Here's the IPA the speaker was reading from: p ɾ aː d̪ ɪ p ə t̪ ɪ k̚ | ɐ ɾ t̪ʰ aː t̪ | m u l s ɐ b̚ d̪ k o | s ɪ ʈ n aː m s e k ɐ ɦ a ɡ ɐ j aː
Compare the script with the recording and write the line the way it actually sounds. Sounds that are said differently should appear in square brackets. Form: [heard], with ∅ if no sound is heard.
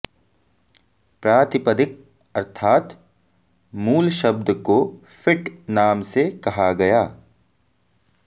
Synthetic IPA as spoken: p ɾ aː [t̪] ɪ p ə [d̪] ɪ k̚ | ɐ ɾ t̪ʰ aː t̪ | m [uː] l [ʃ] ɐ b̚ d̪ k o | [f] ɪ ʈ n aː m s e k ɐ ɦ a ɡ ɐ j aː